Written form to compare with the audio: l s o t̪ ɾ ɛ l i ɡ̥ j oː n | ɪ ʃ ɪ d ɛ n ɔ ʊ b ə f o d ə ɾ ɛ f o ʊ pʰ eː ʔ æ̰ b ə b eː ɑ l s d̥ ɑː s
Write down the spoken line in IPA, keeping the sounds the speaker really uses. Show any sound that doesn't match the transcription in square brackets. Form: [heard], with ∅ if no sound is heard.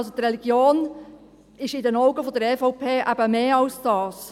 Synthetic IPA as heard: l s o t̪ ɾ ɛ l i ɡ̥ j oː n | ɪ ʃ ɪ d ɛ n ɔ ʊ [ɡ] ə f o d ə ɾ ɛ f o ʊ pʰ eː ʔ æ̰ b ə [m] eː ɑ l s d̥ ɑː s